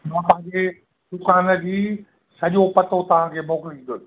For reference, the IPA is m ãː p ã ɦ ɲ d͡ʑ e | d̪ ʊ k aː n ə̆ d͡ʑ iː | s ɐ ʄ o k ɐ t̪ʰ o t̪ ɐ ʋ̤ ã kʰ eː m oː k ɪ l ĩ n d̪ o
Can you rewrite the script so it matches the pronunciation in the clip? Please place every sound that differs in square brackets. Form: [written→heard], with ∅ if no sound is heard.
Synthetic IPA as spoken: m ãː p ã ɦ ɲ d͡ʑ e | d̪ ʊ k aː n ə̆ d͡ʑ iː | s ɐ ʄ o [k→p] ɐ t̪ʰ o t̪ ɐ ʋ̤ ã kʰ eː m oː k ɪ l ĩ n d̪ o